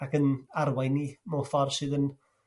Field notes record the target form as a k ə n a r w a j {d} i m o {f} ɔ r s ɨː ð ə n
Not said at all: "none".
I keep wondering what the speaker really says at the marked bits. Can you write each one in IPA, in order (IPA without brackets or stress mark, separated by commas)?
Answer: n, f